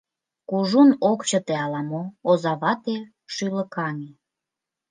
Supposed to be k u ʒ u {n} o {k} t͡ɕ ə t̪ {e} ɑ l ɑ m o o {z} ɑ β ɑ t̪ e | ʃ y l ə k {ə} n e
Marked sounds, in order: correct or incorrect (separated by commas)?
correct, correct, correct, correct, incorrect